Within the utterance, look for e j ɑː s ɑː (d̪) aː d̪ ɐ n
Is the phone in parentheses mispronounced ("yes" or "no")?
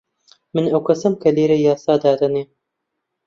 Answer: no